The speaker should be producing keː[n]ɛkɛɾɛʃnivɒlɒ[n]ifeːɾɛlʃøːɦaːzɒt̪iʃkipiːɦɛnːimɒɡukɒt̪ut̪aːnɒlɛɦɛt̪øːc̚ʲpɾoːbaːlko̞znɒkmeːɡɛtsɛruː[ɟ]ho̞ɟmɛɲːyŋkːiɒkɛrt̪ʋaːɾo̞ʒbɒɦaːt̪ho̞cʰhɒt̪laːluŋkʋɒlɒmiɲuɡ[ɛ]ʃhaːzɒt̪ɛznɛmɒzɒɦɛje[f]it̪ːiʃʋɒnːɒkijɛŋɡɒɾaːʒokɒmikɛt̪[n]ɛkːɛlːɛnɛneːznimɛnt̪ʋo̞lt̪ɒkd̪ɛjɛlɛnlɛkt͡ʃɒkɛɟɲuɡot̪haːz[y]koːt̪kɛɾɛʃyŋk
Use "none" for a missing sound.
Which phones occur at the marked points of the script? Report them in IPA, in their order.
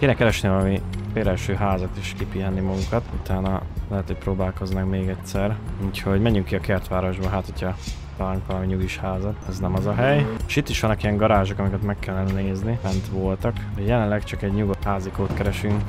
n, m, c, i, ʃ, m, i

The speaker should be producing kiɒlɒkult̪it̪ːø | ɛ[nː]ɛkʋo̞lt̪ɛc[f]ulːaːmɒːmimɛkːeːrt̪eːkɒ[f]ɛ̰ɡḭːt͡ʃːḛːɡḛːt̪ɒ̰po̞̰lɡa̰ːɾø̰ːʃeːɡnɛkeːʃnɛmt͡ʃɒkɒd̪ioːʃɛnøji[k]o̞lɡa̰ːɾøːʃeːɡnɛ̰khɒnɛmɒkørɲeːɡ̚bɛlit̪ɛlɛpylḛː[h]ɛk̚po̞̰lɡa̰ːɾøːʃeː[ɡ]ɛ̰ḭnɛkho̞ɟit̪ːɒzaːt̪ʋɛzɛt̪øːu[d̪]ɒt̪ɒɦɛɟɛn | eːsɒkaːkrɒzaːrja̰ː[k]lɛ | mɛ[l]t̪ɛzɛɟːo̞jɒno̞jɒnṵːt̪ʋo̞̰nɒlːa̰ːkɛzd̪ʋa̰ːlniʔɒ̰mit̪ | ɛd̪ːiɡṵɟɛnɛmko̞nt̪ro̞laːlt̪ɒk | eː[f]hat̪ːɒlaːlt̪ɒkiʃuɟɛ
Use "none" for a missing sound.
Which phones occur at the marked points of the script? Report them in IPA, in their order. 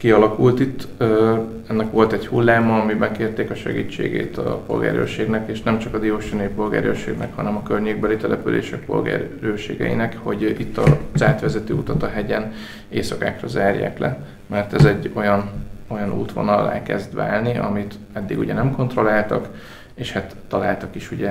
nː, h, ʃ, p, ʃ, ɡ, t̪, k, r, ʃ

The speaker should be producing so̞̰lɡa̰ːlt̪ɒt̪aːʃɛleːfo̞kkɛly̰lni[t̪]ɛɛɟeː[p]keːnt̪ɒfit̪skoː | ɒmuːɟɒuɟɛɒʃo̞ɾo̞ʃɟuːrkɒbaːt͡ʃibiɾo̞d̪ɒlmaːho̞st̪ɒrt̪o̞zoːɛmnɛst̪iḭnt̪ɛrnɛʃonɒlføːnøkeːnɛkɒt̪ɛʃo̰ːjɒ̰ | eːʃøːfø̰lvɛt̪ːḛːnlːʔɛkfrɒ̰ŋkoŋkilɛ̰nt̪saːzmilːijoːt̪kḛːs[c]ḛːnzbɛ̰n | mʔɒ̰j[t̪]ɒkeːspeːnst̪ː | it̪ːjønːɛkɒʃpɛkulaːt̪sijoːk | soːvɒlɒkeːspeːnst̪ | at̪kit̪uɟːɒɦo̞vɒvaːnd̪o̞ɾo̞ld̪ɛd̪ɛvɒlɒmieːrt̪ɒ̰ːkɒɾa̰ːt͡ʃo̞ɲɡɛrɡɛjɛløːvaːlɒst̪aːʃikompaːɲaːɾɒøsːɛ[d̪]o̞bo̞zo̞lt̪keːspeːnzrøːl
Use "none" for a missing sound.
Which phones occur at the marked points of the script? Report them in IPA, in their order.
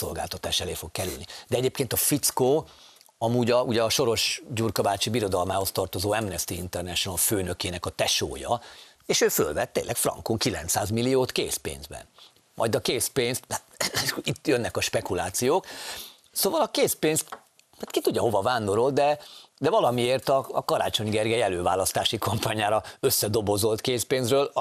d̪, p, p, d̪, d̪

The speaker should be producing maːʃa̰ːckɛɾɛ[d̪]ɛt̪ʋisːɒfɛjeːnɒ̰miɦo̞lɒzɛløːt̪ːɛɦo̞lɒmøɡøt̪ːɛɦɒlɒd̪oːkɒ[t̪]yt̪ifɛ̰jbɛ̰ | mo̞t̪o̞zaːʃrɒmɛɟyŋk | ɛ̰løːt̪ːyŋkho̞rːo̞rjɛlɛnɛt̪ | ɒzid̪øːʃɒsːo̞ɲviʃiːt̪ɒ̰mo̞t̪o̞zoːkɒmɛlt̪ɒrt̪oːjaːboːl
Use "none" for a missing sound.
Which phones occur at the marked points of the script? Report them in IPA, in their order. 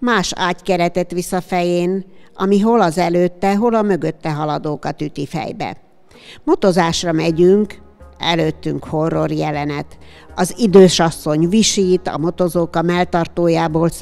t̪, t̪

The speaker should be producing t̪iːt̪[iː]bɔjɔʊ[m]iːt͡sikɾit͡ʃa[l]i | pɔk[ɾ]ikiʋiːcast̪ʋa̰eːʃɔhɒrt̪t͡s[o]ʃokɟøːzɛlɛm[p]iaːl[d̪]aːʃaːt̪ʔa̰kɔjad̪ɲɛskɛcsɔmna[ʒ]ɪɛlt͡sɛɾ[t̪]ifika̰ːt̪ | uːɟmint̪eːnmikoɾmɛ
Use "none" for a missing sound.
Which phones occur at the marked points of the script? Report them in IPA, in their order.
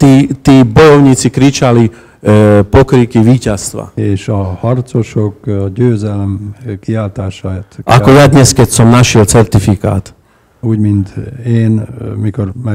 iː, ɲ, l, ɾ, o, k, t̪, ʃ, t̪

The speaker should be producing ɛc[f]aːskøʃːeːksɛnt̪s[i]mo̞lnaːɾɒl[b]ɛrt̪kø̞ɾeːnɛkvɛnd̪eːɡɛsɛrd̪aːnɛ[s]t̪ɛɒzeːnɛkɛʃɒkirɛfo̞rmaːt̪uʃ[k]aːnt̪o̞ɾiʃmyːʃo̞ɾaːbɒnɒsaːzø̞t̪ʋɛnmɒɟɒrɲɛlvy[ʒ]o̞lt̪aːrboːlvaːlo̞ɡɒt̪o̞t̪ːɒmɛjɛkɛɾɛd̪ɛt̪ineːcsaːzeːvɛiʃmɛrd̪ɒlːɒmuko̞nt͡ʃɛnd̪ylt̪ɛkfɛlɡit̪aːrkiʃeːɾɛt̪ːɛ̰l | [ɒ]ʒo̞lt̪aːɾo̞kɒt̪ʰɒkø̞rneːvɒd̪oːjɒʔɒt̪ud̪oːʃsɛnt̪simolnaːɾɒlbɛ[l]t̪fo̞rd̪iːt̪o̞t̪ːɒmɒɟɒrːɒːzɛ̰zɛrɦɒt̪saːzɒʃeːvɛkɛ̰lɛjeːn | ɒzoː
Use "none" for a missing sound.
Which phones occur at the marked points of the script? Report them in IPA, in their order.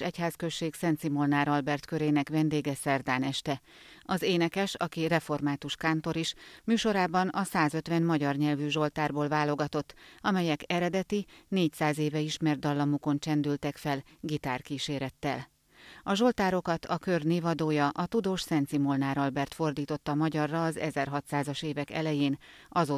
h, i, b, ʃ, k, ʒ, ɒ, r

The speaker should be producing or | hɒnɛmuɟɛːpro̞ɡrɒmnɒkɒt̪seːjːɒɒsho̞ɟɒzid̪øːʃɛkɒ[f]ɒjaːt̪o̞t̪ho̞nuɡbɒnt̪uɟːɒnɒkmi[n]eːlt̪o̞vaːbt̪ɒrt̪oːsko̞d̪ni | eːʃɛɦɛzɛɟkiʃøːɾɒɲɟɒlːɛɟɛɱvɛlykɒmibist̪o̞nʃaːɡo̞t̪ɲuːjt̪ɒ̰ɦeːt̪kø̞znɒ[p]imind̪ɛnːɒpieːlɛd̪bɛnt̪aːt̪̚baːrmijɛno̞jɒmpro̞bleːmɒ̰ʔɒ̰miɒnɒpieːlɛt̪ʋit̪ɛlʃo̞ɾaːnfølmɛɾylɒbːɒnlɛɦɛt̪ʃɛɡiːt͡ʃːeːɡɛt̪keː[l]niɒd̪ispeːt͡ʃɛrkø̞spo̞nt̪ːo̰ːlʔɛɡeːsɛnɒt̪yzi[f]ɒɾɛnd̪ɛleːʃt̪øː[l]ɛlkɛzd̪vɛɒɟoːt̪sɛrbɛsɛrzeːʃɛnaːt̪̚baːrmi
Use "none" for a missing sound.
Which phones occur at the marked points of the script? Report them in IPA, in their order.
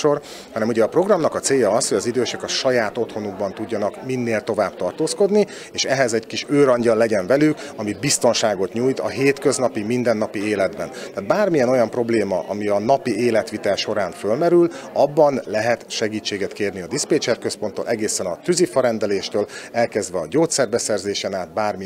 ʃ, nː, p, r, f, l

